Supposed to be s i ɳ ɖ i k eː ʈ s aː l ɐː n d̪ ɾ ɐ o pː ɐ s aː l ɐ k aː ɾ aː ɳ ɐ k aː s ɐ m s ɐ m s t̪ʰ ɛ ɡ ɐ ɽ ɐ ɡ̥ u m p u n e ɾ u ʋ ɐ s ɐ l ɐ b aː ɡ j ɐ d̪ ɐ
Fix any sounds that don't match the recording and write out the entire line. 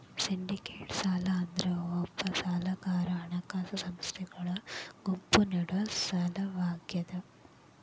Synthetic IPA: s i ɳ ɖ i k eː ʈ s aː l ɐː n d̪ ɾ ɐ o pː ɐ s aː l ɐ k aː ɾ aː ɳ ɐ k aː s ɐ s ɐ m s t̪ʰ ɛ ɡ ɐ ɭ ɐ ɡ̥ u m p u n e ɽ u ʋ ɐ s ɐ l ɐ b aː ɡ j ɐ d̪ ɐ